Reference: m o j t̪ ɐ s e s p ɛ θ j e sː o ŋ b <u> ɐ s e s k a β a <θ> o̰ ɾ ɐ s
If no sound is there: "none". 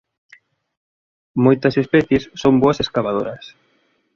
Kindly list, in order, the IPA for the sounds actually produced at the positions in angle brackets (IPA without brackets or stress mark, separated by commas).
o, ð